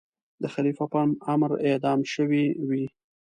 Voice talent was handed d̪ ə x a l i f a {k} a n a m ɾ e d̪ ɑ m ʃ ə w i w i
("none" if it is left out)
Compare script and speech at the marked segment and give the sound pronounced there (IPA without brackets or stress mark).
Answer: p